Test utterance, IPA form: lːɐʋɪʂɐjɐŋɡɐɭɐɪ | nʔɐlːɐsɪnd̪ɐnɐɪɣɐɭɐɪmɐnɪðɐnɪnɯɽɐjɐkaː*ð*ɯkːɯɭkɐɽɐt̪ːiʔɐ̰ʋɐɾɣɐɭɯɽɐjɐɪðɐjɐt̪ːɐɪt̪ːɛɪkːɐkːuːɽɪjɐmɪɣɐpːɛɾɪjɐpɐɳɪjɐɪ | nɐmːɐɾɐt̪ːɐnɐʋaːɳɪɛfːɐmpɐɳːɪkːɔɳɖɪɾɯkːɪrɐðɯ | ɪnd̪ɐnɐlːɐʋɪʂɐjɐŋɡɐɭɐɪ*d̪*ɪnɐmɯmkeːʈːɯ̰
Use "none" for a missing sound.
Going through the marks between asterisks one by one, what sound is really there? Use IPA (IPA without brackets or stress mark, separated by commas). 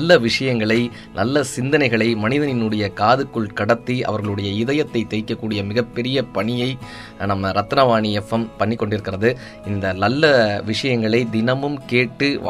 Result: ð, d̪